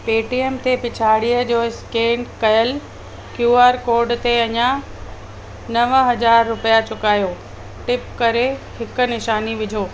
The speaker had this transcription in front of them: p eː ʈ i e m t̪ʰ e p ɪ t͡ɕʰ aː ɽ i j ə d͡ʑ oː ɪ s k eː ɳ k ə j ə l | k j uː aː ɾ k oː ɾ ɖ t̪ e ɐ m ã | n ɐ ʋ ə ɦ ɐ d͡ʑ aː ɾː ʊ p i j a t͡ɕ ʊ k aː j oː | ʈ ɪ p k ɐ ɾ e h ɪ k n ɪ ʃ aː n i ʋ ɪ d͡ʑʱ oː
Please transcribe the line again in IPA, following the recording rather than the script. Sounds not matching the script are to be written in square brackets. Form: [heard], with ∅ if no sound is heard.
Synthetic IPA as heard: p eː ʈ i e m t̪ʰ e p ɪ t͡ɕʰ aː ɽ i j ə d͡ʑ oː ɪ s k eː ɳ k [ɐ] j ə l | k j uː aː ɾ k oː ɾ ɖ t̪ e ɐ [ɲ] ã | n ɐ ʋ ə ɦ ɐ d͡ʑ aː ɾː ʊ p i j a t͡ɕ ʊ k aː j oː | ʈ ɪ p k ɐ ɾ e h ɪ k n ɪ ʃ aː n i ʋ ɪ d͡ʑʱ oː

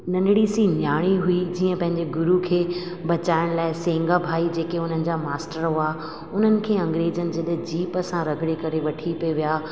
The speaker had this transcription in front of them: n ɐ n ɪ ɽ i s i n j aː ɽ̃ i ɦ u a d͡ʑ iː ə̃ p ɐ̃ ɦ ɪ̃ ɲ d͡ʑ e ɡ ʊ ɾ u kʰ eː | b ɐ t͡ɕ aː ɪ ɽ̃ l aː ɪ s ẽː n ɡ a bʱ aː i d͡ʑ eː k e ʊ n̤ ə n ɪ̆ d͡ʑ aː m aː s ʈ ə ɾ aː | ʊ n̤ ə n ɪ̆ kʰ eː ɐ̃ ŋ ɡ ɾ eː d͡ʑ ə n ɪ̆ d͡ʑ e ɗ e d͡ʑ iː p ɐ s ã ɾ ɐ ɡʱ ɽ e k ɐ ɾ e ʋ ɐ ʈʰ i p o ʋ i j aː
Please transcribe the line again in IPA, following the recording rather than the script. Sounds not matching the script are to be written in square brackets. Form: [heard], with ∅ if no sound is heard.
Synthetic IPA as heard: n ɐ n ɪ ɽ i s i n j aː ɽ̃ i ɦ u [i] d͡ʑ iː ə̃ p ɐ̃ ɦ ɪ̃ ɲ d͡ʑ e ɡ ʊ ɾ u kʰ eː | b ɐ t͡ɕ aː ɪ ɽ̃ l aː ɪ s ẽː [ŋ] ɡ a bʱ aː i d͡ʑ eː k e ʊ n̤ ə n ɪ̆ d͡ʑ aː m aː s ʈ ə ɾ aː | ʊ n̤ ə n ɪ̆ kʰ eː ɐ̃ ŋ ɡ ɾ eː d͡ʑ ə n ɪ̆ d͡ʑ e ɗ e d͡ʑ iː p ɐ s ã ɾ ɐ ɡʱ ɽ e k ɐ ɾ e ʋ ɐ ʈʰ i p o ʋ i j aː

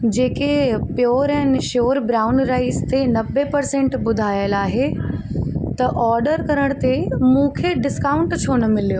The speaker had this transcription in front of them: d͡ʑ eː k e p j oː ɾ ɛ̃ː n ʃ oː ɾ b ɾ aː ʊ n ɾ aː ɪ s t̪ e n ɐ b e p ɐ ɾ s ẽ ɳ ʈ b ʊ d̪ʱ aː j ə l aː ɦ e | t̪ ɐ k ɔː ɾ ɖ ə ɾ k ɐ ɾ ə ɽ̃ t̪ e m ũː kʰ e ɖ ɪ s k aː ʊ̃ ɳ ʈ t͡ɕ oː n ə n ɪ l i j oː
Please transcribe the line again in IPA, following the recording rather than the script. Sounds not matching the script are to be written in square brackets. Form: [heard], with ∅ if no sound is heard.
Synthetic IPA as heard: d͡ʑ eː k e p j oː ɾ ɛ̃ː n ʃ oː ɾ b ɾ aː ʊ n ɾ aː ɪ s t̪ e n ɐ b e p ɐ ɾ s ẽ ɳ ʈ b ʊ d̪ʱ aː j ə l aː ɦ e | t̪ ɐ [ʔ] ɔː ɾ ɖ ə ɾ k ɐ ɾ ə ɽ̃ t̪ e m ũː kʰ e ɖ ɪ s k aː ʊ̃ ɳ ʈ [t͡ɕʰ] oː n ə [m] ɪ l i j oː

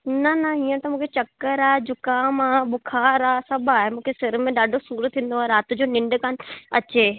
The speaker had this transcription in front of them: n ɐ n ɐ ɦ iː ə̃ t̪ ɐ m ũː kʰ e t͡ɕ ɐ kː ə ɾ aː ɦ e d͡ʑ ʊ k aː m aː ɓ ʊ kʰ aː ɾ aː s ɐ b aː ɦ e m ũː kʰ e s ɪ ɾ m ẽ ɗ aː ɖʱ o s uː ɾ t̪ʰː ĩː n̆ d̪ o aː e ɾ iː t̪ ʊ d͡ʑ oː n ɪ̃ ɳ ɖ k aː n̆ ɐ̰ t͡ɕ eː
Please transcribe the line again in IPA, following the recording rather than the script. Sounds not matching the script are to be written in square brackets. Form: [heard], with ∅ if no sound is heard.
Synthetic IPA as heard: n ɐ n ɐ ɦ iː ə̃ t̪ ɐ m ũː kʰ e t͡ɕ ɐ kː ə ɾ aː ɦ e d͡ʑ ʊ k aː m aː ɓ ʊ kʰ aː ɾ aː s ɐ b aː ɦ e m ũː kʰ e s ɪ ɾ m ẽ ɗ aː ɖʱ o s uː ɾ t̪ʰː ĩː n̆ d̪ o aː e ɾ [aː] t̪ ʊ d͡ʑ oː n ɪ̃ ɳ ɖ k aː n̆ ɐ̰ t͡ɕ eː

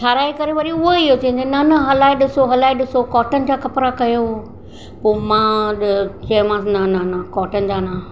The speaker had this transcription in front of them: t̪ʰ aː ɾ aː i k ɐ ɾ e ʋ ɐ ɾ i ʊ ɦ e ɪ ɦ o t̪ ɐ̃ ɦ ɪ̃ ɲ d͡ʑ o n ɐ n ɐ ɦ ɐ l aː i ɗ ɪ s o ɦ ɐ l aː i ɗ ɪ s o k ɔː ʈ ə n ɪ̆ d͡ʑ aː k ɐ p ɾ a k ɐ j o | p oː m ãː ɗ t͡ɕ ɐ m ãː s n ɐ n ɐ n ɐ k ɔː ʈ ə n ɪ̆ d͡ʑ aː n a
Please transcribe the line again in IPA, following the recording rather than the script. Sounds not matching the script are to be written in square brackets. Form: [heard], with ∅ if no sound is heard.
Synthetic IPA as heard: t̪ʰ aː ɾ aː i k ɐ ɾ e ʋ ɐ ɾ i ʊ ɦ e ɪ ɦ o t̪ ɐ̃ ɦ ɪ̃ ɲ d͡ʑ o n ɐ n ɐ ɦ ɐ l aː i ɗ ɪ s o ɦ ɐ l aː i ɗ ɪ s o k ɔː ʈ ə n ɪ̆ d͡ʑ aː k ɐ p ɾ a k ɐ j o | p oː m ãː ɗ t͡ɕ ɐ m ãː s n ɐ n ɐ n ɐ k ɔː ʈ ə n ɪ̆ d͡ʑ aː n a

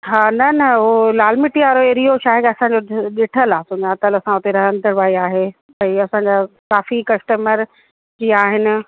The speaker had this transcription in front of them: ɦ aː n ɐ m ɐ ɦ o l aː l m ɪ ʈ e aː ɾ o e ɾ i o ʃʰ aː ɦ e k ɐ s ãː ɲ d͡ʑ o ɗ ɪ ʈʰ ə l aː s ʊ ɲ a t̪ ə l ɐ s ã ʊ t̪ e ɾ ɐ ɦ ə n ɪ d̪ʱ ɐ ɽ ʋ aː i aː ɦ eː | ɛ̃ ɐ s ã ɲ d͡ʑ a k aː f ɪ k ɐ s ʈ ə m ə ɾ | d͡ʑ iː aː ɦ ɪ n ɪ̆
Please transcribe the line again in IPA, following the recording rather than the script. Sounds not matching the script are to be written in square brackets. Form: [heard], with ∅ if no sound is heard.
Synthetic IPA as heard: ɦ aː n ɐ [n] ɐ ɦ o l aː l m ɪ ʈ [i] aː ɾ o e ɾ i o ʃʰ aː ɦ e k ɐ s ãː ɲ d͡ʑ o ɗ ɪ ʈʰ ə l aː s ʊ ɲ a t̪ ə l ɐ s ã ʊ t̪ e ɾ ɐ ɦ ə n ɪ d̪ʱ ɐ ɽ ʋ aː i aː ɦ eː | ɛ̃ ɐ s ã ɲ d͡ʑ a k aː f [i] k ɐ s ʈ ə m ə ɾ | d͡ʑ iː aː ɦ ɪ n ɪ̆

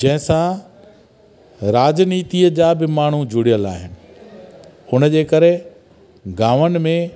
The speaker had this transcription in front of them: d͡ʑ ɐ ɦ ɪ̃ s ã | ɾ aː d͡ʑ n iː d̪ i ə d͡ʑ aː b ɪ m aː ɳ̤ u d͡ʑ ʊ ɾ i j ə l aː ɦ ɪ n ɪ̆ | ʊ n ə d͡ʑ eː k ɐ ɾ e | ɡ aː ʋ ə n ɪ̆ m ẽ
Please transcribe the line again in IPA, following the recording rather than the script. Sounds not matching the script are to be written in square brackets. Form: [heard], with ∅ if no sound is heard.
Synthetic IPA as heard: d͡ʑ [ɐ̃] ɦ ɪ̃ s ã | ɾ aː d͡ʑ n iː [t̪] i ə d͡ʑ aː b ɪ m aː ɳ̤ u d͡ʑ ʊ [ɽ] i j ə l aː ɦ ɪ n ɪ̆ | ʊ n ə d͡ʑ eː k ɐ ɾ e | ɡ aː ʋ ə n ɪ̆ m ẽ

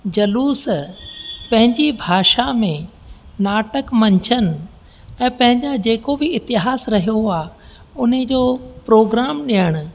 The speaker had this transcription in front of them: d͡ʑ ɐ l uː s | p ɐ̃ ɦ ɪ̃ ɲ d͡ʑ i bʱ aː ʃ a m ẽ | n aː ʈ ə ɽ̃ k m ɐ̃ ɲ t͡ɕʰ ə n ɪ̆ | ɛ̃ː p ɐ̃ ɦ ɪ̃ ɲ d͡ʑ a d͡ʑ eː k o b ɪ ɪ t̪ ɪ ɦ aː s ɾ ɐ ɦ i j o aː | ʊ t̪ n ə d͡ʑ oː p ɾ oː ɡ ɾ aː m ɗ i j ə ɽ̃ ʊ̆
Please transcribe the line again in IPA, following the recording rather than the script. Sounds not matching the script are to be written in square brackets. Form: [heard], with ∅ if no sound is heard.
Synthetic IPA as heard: d͡ʑ ɐ l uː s | p ɐ̃ ɦ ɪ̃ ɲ d͡ʑ i bʱ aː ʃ a m ẽ | n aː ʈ ə [∅] k m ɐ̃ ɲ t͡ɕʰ ə n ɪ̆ | ɛ̃ː p ɐ̃ ɦ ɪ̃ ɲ d͡ʑ a d͡ʑ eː k o b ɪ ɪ t̪ ɪ ɦ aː s ɾ ɐ ɦ i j o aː | ʊ [∅] n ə d͡ʑ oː p ɾ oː ɡ ɾ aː m ɗ i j ə ɽ̃ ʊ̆

